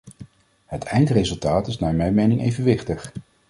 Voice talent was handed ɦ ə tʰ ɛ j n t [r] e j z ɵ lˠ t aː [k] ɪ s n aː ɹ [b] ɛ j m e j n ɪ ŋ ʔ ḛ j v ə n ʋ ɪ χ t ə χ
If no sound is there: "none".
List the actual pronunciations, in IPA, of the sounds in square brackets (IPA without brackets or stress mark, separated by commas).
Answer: r, t, m